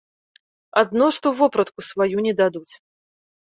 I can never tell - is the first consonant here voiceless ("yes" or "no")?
no